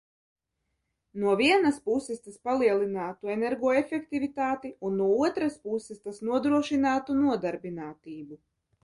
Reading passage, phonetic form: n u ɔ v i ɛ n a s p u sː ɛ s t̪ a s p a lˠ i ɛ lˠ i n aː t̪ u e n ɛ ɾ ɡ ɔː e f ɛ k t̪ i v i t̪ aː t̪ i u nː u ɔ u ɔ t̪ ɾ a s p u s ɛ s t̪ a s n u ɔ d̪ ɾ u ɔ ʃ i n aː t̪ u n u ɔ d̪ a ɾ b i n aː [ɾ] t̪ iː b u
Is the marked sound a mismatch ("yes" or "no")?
yes